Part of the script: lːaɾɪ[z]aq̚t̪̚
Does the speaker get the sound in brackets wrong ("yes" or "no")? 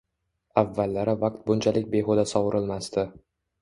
yes